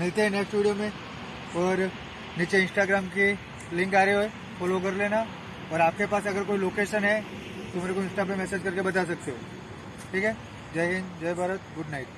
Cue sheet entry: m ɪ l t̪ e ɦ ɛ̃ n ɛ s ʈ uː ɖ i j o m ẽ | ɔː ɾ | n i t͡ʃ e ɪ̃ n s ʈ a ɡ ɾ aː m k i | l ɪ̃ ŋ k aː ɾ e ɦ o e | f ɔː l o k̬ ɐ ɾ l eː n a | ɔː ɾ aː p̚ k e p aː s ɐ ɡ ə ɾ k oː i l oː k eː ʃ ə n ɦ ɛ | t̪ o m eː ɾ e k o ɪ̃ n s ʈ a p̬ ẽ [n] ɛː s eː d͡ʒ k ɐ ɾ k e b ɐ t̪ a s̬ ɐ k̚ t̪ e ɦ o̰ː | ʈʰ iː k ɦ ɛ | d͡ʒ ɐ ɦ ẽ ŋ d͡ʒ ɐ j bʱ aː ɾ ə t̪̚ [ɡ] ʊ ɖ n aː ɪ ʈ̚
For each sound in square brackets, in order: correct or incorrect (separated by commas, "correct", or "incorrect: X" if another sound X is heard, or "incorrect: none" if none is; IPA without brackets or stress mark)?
incorrect: m, correct